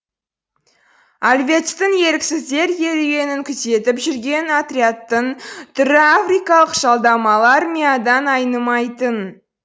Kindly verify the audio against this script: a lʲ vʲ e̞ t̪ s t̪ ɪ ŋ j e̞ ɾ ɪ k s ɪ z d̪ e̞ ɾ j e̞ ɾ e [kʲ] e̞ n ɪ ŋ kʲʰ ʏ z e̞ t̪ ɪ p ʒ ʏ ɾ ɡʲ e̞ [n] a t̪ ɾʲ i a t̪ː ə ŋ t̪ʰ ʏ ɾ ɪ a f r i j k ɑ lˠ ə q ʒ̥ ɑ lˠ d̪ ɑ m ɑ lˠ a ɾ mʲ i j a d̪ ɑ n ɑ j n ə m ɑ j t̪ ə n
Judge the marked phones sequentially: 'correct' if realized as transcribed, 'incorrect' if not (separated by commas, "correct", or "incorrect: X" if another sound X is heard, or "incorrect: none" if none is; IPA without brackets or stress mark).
incorrect: ɡʲ, correct